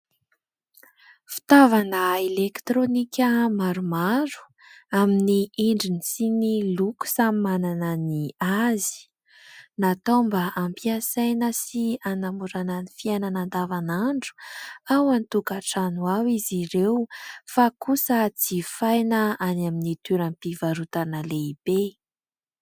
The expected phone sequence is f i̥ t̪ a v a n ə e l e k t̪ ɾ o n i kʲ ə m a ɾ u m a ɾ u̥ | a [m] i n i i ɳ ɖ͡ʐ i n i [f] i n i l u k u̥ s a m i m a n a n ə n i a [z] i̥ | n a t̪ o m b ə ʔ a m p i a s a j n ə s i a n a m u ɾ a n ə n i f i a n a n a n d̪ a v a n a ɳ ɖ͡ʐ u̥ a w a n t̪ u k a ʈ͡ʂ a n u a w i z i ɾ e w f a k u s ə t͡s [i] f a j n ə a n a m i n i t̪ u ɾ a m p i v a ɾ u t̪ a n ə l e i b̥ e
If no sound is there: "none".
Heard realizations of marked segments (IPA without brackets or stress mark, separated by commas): m, s, z, i